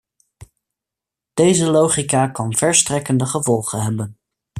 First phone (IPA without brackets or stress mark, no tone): d̥